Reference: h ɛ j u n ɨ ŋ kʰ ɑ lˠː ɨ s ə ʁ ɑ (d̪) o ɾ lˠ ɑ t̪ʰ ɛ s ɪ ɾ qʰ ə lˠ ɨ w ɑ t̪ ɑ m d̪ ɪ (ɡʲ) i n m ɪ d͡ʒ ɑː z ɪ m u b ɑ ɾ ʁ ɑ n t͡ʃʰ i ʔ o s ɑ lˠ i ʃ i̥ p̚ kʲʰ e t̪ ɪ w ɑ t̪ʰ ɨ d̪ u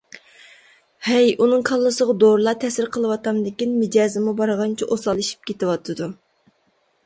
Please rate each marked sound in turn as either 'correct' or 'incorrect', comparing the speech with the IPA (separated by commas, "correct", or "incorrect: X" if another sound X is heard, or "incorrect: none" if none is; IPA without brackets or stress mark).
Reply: correct, incorrect: kʲ